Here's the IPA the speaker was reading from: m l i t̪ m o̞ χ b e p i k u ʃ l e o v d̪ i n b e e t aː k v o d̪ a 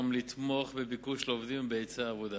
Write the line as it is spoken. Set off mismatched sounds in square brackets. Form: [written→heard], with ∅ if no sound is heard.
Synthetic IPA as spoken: m l i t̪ m o̞ χ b e [p→b] i k u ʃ l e o v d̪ i [n→m] b e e [t→t͡s] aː [k→∅] v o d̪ a